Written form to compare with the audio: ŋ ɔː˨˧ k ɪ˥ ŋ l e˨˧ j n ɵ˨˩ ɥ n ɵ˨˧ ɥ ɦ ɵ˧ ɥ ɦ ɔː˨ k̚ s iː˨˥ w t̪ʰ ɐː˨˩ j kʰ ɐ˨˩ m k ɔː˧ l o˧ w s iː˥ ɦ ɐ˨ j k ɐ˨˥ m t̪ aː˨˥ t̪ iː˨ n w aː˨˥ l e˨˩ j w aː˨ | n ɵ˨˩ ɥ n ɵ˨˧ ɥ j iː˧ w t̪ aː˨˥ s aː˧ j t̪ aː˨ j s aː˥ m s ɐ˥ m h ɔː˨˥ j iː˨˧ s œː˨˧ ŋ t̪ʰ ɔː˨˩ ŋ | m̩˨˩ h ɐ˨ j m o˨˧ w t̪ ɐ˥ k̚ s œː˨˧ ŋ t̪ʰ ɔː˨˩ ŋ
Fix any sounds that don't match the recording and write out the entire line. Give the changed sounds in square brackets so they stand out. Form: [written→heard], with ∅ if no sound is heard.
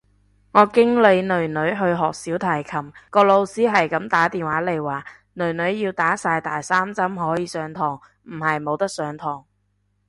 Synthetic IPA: ŋ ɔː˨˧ k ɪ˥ ŋ l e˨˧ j n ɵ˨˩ ɥ n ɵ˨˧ ɥ ɦ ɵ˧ ɥ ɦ ɔː˨ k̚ s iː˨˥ w t̪ʰ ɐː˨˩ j kʰ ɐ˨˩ m k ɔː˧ l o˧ w s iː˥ ɦ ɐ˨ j k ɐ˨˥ m t̪ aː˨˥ t̪ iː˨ n w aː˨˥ l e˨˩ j w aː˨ | n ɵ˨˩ ɥ n ɵ˨˧ ɥ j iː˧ w t̪ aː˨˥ s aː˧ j t̪ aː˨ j s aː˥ m [s→t͡s] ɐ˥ m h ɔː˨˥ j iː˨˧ s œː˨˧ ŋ t̪ʰ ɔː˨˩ ŋ | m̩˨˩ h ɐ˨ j m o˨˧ w t̪ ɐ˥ k̚ s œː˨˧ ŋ t̪ʰ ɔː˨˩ ŋ